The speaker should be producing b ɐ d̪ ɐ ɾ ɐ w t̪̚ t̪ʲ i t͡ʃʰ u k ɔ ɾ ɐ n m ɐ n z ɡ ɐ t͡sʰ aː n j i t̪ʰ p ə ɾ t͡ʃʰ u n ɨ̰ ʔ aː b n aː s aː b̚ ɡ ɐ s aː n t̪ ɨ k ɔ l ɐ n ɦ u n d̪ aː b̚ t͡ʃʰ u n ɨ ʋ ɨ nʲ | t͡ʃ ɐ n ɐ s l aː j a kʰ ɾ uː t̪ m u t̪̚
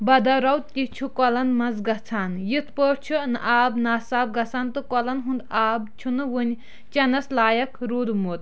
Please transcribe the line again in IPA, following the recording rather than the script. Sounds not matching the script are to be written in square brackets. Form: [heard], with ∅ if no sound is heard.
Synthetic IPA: b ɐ d̪ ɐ ɾ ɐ w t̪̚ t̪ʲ i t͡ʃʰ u k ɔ [l] ɐ n m ɐ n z ɡ ɐ t͡sʰ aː n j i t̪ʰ p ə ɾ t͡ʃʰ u n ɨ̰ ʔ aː b n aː s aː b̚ ɡ ɐ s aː n t̪ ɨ k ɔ l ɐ n ɦ u n d̪ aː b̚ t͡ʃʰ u n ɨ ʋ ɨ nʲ | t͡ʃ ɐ n ɐ s l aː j [ɐ] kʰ ɾ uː [d̪] m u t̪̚